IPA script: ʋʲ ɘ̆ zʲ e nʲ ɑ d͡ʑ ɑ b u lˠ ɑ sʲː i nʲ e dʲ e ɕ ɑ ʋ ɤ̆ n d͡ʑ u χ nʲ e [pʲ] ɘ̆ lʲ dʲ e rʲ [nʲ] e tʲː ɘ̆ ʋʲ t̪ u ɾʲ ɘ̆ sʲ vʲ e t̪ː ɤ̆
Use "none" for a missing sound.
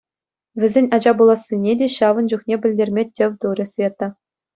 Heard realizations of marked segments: bʲ, mʲ

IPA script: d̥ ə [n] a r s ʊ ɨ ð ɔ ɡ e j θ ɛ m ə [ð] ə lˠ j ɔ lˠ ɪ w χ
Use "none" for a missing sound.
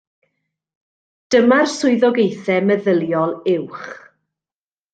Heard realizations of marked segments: m, ð

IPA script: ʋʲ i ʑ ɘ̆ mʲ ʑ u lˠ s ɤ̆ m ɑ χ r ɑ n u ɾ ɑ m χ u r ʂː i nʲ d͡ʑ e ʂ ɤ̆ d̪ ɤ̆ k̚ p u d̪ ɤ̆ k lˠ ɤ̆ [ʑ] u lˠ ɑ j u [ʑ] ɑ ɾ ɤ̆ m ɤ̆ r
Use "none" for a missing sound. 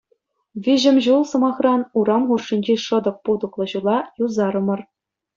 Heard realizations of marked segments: ʑ, z

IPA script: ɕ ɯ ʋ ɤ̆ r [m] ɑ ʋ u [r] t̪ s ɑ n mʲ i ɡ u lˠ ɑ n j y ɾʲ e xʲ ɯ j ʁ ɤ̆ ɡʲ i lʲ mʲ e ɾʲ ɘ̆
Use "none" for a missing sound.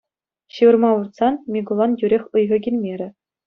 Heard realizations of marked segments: m, r

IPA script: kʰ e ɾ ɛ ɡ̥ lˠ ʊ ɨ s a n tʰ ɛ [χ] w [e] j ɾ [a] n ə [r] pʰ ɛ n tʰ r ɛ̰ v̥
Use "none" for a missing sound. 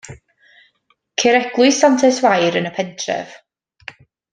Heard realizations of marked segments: s, a, ə, none

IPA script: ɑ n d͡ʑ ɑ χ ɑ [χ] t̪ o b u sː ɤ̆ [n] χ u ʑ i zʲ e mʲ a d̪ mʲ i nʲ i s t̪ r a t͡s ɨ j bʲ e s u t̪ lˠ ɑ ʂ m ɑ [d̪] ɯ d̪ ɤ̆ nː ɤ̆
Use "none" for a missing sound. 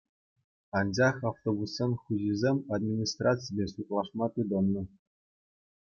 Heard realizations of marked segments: f, n, t̪

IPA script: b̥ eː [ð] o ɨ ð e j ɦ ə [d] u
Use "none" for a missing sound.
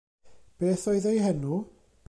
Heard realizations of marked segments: θ, n

